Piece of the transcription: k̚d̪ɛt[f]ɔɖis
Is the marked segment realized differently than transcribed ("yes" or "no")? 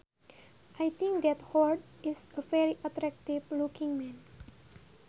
yes